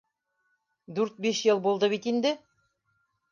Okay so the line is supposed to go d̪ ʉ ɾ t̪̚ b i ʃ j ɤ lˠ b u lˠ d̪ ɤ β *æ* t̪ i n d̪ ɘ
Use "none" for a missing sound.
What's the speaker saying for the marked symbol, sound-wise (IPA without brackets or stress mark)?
i